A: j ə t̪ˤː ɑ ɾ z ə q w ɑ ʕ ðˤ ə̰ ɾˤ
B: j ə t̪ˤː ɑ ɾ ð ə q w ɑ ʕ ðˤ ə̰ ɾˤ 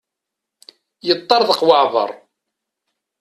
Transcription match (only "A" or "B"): B